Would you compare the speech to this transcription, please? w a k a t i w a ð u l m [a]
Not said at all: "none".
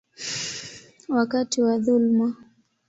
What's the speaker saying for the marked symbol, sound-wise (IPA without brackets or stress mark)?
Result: a